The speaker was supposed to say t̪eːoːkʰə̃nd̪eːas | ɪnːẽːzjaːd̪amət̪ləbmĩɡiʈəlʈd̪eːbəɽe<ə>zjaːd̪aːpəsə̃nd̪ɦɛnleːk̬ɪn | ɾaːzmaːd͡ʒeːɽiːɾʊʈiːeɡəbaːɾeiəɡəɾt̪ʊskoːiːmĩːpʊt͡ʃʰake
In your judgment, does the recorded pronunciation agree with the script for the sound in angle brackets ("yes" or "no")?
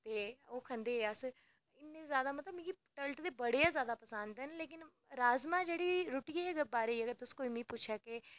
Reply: no